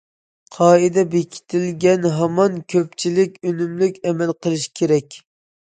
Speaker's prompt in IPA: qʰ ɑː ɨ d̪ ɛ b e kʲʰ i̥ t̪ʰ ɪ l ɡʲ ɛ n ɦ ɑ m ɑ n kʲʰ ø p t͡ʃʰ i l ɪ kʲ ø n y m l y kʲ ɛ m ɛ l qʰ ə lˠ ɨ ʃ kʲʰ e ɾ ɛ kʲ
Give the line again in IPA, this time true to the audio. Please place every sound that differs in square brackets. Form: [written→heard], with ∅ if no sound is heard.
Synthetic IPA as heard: qʰ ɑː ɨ d̪ ɛ b e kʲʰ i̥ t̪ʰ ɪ l ɡʲ ɛ n ɦ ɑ m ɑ n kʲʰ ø p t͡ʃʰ i l ɪ kʲ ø n y m l y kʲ ɛ m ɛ l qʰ ə lˠ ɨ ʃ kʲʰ e ɾ ɛ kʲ